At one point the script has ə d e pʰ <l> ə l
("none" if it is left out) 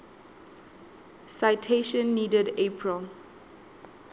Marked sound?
ɹ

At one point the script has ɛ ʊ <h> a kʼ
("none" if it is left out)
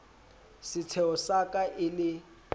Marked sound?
s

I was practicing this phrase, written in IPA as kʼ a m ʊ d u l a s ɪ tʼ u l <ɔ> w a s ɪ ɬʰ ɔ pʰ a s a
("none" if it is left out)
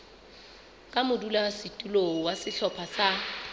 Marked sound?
o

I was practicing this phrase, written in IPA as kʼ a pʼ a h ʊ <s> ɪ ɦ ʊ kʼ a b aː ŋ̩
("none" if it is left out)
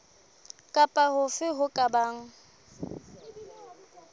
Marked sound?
f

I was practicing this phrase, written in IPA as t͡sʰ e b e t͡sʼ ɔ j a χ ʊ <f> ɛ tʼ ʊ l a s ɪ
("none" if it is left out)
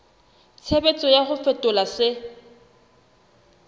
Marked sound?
f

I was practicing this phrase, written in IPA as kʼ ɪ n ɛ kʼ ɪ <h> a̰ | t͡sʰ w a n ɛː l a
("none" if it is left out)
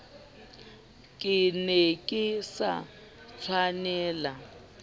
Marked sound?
s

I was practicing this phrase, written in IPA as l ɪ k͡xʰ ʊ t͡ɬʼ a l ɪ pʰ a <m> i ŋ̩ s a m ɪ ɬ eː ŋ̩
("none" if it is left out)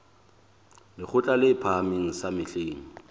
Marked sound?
m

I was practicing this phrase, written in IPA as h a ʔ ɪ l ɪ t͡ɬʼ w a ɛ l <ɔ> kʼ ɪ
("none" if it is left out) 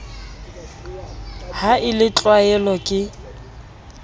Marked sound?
ɔ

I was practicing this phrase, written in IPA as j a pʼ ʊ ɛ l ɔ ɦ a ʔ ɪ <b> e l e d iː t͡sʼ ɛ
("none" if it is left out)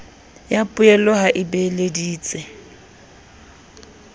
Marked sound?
b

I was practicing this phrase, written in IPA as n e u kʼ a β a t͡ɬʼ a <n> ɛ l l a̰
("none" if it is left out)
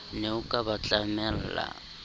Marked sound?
m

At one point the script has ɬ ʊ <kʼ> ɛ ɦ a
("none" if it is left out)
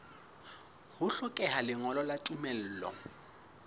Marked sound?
kʼ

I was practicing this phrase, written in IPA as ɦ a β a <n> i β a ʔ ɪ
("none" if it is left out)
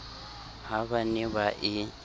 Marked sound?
n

